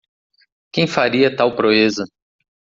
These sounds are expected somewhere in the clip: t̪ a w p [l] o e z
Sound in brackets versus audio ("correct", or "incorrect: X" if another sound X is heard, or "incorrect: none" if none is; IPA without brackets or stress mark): incorrect: ɾ